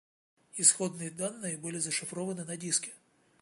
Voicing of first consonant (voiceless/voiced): voiceless